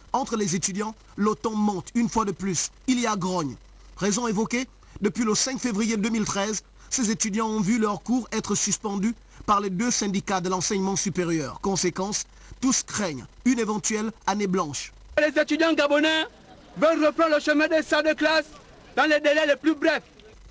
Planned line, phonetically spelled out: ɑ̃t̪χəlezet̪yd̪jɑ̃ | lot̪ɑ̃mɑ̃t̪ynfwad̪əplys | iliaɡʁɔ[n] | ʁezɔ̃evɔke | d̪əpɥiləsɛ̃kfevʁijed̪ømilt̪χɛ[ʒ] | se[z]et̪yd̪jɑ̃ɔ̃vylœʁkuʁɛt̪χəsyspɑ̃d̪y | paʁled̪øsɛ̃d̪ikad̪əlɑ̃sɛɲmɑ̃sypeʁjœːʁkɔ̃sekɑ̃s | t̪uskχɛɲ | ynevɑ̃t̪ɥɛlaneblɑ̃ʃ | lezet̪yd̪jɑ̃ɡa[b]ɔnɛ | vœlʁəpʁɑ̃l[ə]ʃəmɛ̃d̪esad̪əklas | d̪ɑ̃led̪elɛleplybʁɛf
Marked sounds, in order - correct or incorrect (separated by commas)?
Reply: incorrect, incorrect, correct, correct, correct